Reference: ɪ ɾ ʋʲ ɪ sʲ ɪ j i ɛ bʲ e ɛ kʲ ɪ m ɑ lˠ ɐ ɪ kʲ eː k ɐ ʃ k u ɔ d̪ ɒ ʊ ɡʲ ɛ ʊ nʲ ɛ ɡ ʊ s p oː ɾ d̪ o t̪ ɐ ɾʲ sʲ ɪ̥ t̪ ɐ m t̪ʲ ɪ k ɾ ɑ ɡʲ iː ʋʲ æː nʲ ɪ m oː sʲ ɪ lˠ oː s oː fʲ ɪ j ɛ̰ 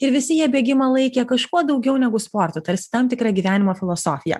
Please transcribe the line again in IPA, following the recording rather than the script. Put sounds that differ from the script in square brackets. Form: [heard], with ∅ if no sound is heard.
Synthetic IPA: ɪ ɾ ʋʲ ɪ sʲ ɪ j i ɛ bʲ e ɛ [ɡʲ] ɪ m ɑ lˠ ɐ ɪ kʲ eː k ɐ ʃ k u ɔ d̪ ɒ ʊ ɡʲ ɛ ʊ nʲ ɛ ɡ ʊ s p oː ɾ [t̪] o t̪ ɐ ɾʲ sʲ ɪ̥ t̪ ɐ m t̪ʲ ɪ k ɾ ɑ ɡʲ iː ʋʲ æː nʲ ɪ m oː [fʲ] ɪ lˠ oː s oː fʲ ɪ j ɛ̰

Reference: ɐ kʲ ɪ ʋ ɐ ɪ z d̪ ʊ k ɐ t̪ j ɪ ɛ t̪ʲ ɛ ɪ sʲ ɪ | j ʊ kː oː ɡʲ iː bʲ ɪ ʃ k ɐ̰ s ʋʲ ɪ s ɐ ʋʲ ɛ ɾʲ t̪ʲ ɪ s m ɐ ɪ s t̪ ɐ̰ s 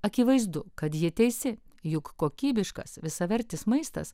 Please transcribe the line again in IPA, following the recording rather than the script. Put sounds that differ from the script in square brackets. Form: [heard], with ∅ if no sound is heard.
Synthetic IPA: ɐ kʲ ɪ ʋ ɐ ɪ z d̪ ʊ k ɐ t̪ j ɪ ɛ t̪ʲ ɛ ɪ sʲ ɪ | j ʊ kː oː [kʲ] iː bʲ ɪ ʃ k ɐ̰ s ʋʲ ɪ s ɐ ʋʲ ɛ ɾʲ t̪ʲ ɪ s m ɐ ɪ s t̪ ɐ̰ s

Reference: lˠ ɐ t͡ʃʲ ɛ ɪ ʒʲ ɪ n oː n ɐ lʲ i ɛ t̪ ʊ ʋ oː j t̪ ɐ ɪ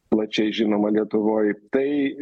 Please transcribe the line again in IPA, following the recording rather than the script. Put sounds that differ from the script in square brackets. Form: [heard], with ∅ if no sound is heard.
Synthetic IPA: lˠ ɐ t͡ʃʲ ɛ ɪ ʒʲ ɪ n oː [m] ɐ lʲ i ɛ t̪ ʊ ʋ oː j t̪ ɐ ɪ

